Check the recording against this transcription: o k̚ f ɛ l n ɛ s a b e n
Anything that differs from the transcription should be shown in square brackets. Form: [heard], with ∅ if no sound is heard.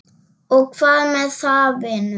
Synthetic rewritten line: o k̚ f [a] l [m] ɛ s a b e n